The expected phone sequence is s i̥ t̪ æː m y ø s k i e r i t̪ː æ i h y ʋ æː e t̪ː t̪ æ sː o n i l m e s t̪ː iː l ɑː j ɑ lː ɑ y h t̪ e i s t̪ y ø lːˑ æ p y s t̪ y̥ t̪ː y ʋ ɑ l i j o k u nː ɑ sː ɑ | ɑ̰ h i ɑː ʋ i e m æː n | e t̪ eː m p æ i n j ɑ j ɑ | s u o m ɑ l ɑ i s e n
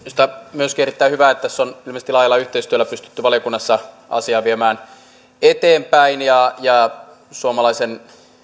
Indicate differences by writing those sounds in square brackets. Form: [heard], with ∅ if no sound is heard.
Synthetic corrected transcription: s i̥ t̪ [æ] m y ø s k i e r i t̪ː æ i h y ʋ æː e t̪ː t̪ æ sː o n i l m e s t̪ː [i] l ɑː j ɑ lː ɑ y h t̪ e i s t̪ y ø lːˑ æ p y s t̪ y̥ t̪ː y ʋ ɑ l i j o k u nː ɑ sː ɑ | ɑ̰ [s] i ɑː ʋ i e m æː n | e t̪ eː m p æ i n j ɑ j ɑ | s u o m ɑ l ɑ i s e n